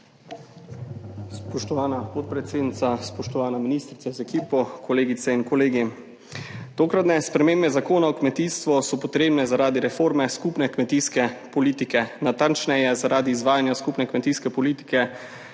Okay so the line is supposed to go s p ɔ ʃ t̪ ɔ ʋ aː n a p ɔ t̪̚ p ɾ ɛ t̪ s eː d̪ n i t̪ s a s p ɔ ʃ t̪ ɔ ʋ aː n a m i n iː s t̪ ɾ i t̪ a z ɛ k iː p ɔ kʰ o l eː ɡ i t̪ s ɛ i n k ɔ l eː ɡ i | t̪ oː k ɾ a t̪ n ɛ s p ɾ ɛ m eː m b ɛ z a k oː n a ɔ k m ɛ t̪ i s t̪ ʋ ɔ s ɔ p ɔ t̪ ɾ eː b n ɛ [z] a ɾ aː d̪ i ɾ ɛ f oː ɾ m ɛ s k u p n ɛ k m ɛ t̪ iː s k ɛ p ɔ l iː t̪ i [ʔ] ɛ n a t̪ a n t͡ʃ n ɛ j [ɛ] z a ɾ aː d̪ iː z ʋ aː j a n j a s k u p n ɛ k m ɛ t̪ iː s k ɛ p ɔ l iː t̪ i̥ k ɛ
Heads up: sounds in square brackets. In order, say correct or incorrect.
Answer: correct, incorrect: k, correct

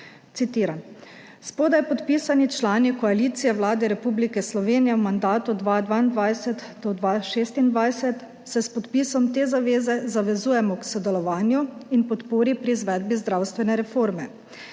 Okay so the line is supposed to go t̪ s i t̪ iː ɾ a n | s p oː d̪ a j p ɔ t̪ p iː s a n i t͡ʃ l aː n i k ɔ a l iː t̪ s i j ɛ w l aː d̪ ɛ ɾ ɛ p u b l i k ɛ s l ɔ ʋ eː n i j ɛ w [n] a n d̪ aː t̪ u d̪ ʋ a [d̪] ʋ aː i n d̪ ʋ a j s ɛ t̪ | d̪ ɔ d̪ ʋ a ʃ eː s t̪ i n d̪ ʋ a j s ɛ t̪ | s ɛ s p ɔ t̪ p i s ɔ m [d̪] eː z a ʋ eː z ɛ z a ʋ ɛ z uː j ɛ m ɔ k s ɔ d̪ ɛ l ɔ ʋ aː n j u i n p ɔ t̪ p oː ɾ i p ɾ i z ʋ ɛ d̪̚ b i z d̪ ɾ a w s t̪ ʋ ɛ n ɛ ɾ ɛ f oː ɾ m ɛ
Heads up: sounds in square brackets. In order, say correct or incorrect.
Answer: incorrect: m, correct, incorrect: t̪

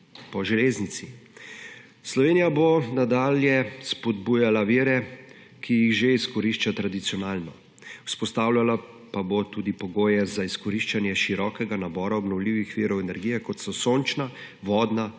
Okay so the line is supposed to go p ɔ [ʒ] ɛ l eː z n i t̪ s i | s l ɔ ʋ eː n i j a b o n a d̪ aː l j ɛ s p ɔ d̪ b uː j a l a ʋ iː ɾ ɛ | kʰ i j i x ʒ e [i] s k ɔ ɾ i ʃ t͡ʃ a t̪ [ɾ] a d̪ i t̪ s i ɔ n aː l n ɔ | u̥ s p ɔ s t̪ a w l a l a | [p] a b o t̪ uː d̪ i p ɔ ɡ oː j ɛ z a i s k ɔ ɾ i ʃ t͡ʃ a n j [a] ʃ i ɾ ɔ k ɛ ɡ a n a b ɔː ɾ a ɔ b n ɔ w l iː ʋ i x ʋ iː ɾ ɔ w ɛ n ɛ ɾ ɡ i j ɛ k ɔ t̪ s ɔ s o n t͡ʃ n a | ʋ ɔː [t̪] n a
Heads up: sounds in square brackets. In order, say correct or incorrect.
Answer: correct, correct, correct, correct, incorrect: ɛ, incorrect: d̪

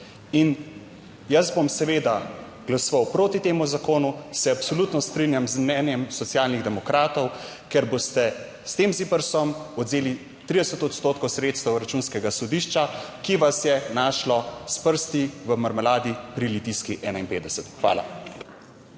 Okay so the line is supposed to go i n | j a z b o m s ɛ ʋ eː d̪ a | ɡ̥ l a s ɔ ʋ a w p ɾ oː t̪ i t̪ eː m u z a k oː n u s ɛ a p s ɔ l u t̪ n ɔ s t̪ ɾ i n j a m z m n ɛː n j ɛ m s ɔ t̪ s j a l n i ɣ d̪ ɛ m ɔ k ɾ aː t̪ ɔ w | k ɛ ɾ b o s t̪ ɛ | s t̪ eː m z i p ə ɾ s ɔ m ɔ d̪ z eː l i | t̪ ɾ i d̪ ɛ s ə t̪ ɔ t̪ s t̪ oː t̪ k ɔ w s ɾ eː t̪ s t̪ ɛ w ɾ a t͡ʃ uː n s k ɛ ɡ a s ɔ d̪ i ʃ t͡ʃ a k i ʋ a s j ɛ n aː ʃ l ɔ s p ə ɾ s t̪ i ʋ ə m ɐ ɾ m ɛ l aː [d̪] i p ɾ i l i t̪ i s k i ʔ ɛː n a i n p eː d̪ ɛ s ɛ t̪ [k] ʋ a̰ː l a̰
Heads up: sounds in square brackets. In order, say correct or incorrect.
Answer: correct, incorrect: x

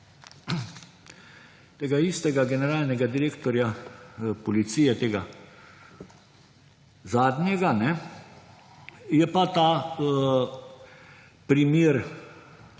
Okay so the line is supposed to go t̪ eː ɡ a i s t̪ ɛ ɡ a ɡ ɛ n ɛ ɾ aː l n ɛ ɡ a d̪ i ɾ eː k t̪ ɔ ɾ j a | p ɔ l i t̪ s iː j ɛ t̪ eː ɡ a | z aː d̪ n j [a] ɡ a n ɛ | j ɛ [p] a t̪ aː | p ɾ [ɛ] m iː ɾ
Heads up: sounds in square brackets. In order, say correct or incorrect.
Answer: incorrect: ɛ, correct, incorrect: i

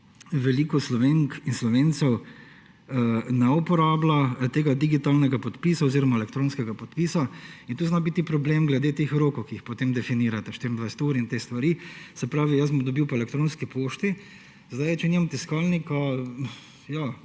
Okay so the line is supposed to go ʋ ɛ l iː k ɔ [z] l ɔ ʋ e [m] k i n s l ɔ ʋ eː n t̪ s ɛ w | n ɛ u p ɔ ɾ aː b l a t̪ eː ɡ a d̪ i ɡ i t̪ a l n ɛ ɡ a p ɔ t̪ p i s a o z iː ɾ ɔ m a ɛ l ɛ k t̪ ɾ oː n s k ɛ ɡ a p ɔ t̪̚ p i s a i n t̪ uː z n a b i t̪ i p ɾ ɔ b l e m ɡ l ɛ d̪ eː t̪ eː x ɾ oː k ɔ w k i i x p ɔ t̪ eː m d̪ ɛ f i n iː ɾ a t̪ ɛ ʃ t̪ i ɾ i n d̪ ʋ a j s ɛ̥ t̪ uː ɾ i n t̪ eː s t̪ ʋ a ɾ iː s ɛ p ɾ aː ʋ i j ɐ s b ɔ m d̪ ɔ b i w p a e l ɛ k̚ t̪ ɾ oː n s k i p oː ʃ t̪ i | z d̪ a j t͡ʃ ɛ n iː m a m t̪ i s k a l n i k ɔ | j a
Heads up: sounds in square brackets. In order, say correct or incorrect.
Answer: incorrect: s, incorrect: ŋ

